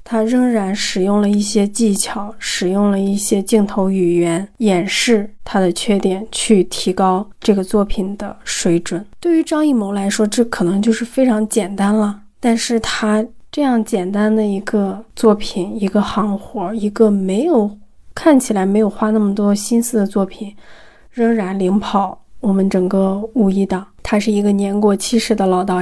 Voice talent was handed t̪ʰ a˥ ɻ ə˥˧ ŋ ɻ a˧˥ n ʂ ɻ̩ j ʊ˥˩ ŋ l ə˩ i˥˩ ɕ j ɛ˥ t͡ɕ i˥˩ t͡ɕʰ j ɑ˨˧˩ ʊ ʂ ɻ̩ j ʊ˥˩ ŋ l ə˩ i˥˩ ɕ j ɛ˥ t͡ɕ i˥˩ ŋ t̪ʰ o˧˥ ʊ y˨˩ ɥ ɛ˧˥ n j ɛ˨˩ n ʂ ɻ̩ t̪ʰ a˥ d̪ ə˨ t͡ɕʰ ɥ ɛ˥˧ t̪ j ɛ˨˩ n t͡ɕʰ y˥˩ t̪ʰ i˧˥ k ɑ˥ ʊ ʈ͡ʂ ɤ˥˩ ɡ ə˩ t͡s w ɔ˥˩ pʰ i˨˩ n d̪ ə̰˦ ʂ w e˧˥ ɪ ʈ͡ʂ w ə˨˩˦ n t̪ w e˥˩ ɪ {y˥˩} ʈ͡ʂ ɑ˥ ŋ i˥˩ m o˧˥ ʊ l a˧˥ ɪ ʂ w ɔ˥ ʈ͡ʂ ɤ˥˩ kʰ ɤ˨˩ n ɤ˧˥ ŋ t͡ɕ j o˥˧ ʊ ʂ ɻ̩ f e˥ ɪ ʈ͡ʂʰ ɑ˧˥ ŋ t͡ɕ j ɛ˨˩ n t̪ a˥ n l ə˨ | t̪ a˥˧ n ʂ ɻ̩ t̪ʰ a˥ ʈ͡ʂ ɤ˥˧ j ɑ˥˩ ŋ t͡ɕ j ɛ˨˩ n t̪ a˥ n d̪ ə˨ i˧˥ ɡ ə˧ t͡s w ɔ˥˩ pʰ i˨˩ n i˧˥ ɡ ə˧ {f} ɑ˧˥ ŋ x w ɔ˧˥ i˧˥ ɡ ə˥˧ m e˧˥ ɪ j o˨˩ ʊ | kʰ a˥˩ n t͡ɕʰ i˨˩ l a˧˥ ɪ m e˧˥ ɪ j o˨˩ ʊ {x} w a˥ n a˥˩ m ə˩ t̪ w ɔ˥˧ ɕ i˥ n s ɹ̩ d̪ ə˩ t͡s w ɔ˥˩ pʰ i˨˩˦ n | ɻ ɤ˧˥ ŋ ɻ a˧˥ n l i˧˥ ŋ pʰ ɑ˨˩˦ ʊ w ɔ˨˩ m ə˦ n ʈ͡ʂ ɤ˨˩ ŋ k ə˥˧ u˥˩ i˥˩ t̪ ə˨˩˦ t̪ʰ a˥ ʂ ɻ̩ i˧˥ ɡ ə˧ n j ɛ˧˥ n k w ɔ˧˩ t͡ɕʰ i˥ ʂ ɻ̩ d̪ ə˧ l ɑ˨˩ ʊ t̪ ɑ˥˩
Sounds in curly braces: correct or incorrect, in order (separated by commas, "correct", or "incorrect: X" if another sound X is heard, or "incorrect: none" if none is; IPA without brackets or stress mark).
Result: incorrect: y˧˥, incorrect: x, correct